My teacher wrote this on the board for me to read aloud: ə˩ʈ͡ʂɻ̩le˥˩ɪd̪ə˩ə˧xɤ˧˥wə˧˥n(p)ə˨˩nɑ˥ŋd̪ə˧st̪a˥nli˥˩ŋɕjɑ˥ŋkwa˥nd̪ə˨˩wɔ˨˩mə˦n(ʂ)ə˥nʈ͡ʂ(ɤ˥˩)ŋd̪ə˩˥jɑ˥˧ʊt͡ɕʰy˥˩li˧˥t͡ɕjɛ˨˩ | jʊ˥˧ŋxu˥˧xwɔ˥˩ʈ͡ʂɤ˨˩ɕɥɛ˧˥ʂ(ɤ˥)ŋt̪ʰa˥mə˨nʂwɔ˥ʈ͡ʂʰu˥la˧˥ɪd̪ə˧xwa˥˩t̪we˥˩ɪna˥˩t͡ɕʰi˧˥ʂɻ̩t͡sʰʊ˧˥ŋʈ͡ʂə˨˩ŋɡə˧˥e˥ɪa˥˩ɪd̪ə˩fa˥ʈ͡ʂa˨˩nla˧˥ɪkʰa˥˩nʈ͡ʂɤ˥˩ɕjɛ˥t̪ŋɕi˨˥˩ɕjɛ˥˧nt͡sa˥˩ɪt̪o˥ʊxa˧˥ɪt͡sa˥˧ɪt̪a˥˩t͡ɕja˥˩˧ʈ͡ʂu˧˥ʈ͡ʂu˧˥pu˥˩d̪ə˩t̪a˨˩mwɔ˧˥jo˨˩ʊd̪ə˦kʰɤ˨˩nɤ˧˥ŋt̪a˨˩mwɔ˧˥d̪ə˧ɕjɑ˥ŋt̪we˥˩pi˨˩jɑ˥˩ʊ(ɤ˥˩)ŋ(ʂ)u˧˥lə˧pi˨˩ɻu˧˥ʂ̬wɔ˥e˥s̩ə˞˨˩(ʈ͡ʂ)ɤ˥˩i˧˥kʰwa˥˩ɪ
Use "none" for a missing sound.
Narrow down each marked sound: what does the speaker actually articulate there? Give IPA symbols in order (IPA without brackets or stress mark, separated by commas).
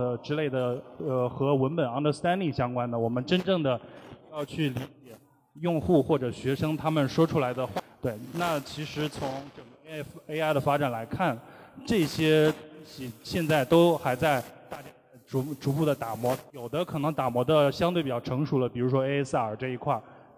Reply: p, ʈ͡ʂ, ɤ˥˩, ɤ˥, ɤ˧˥, ʂ, ʈ͡ʂ